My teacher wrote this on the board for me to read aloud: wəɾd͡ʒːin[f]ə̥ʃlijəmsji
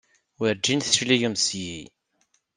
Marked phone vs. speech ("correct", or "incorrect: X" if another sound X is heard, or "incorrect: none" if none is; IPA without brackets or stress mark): incorrect: θ